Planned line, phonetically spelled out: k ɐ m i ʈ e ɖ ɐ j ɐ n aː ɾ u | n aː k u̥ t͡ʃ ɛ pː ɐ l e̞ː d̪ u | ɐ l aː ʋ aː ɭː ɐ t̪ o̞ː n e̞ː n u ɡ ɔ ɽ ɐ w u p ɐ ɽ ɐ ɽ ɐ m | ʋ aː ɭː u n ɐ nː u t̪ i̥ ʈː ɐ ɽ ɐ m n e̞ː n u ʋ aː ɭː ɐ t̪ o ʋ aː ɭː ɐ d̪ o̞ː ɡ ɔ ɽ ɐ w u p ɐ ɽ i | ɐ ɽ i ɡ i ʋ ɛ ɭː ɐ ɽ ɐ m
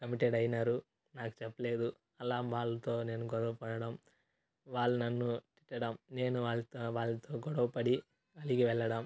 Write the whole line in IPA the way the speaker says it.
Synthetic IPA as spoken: k ɐ m i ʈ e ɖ ɐ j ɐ n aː ɾ u | n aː k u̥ t͡ʃ ɛ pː ɐ l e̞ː d̪ u | ɐ l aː ʋ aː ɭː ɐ t̪ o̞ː n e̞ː n u ɡ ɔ ɽ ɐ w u p ɐ ɽ ɐ ɽ ɐ m | ʋ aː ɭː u n ɐ nː u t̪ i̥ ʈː ɐ ɽ ɐ m n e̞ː n u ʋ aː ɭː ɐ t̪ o ʋ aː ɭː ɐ t̪ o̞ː ɡ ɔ ɽ ɐ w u p ɐ ɽ i | ɐ l i ɡ i ʋ ɛ ɭː ɐ ɽ ɐ m

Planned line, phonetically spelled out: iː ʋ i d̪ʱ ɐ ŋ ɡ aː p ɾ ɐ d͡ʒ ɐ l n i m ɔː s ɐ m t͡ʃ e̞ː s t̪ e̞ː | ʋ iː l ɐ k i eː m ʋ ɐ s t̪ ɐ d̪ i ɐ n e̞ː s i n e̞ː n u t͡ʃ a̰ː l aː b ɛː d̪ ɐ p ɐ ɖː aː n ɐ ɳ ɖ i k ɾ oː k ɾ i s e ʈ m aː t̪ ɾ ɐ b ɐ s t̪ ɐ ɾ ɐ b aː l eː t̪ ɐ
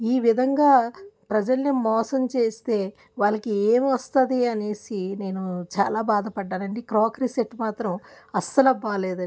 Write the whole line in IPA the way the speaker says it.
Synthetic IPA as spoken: iː ʋ i d̪ʱ ɐ ŋ ɡ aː p ɾ ɐ d͡ʒ ɐ l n i m ɔː s ɐ m t͡ʃ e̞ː s t̪ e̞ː | ʋ aː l ɐ k i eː m ʋ ɐ s t̪ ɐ d̪ i ɐ n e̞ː s i n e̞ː n u t͡ʃ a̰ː l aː b aː d̪ ɐ p ɐ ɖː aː n ɐ ɳ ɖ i k ɾ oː k ɾ i s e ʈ m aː t̪ ɾ ɐ m ɐ s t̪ ɐ l ɐ b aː l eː d̪ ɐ

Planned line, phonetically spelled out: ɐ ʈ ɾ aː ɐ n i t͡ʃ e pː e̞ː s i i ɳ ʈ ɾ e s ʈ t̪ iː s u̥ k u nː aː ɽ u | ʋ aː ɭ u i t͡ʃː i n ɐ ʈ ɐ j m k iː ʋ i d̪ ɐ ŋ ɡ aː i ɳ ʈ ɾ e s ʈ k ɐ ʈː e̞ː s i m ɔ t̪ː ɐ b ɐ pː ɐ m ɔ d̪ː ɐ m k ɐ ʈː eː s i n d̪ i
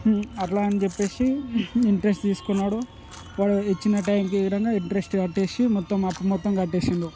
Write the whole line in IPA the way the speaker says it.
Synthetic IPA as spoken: ɐ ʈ l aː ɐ n i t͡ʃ e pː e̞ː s i i ɳ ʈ ɾ e s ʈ t̪ iː s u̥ k u nː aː ɽ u | ʋ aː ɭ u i t͡ʃː i n ɐ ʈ ɐ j m k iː ʋ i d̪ ɐ ŋ ɡ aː i ɳ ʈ ɾ e s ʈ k ɐ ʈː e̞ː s i m ɔ t̪ː ɐ m ɐ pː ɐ m ɔ t̪ː ɐ m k ɐ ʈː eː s i n d̪ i

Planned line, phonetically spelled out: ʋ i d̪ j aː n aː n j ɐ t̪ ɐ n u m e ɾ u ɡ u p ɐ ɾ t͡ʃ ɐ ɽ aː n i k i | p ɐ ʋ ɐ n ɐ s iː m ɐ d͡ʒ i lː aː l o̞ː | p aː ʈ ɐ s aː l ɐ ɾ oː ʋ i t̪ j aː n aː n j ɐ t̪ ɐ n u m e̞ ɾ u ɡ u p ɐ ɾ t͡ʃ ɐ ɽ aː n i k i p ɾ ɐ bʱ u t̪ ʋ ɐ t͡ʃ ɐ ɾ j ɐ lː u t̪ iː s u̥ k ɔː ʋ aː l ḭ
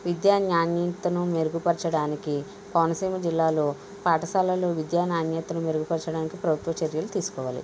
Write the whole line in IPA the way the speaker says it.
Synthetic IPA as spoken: ʋ i d̪ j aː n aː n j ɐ t̪ ɐ n u m e ɾ u ɡ u p ɐ ɾ t͡ʃ ɐ ɽ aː n i k i | p ɐ ʋ ɐ n ɐ s iː m ɐ d͡ʒ i lː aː l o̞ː | p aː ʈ ɐ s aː l ɐ l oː ʋ i d̪ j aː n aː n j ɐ t̪ ɐ n u m e̞ ɾ u ɡ u p ɐ ɾ t͡ʃ ɐ ɽ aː n i k i p ɾ ɐ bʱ u t̪ ʋ ɐ t͡ʃ ɐ ɾ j ɐ l u t̪ iː s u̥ k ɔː ʋ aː l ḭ

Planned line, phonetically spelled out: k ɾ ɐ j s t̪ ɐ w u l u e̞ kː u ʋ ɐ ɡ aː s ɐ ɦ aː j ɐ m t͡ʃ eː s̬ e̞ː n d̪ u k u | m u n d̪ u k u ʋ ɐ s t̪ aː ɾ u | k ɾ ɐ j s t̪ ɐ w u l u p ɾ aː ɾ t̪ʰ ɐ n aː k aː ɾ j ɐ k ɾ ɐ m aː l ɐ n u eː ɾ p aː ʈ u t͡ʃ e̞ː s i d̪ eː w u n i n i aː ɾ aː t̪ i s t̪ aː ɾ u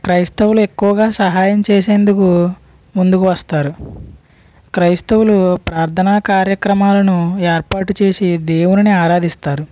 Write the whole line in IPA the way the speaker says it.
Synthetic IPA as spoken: k ɾ ɐ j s t̪ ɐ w u l u e̞ kː u ʋ ɐ ɡ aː s ɐ ɦ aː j ɐ m t͡ʃ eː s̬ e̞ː n d̪ u k u | m u n d̪ u k u ʋ ɐ s t̪ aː ɾ u | k ɾ ɐ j s t̪ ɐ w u l u p ɾ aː ɾ t̪ʰ ɐ n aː k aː ɾ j ɐ k ɾ ɐ m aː l ɐ n u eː ɾ p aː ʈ u t͡ʃ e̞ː s i d̪ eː w u n i n i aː ɾ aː d̪ i s t̪ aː ɾ u

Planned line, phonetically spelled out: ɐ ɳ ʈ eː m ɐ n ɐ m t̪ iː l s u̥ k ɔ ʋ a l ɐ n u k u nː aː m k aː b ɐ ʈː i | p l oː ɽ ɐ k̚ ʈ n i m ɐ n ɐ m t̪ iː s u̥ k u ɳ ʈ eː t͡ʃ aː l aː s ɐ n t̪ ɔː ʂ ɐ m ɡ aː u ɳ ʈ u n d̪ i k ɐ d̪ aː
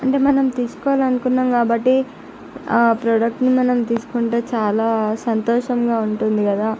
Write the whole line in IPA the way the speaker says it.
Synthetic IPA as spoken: ɐ ɳ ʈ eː m ɐ n ɐ m t̪ iː s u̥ k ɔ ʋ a l ɐ n u k u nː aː m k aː b ɐ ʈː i | p ɾ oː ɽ ɐ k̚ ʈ n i m ɐ n ɐ m t̪ iː s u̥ k u ɳ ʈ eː t͡ʃ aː l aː s ɐ n t̪ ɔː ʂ ɐ m ɡ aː u ɳ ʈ u n d̪ i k ɐ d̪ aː

